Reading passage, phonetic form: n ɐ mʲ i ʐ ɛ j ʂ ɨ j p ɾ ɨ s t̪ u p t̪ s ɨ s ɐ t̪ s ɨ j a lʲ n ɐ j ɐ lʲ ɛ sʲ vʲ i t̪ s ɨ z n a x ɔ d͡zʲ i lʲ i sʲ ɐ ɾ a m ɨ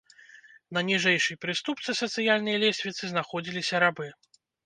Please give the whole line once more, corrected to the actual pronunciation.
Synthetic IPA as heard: n ɐ nʲ i ʐ ɛ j ʂ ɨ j p ɾ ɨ s t̪ u p t̪ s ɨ s ɐ t̪ s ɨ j a lʲ n ɐ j ɐ lʲ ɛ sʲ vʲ i t̪ s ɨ z n a x ɔ d͡zʲ i lʲ i sʲ ɐ ɾ a b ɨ